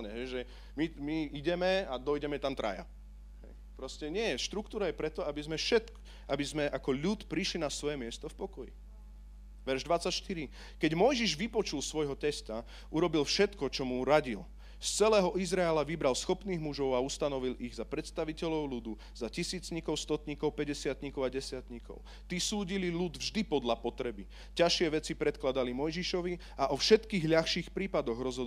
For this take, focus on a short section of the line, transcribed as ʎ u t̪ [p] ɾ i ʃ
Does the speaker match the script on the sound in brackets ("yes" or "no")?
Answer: yes